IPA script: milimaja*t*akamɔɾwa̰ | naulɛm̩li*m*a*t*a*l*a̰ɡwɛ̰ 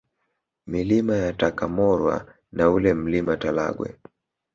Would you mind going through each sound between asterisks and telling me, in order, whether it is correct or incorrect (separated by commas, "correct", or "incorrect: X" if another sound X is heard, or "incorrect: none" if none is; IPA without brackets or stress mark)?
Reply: correct, correct, correct, correct